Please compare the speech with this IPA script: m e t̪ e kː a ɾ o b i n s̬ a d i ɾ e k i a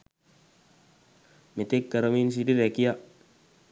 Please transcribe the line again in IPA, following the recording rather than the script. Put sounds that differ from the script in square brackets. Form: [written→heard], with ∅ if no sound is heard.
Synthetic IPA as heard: m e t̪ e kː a ɾ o [b→m] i n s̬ [a→i] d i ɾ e k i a